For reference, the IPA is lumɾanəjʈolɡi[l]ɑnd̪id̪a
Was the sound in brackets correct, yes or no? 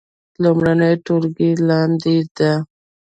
yes